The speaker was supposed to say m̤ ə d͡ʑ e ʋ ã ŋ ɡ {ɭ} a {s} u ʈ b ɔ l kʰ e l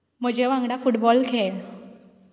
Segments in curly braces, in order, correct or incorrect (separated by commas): incorrect, incorrect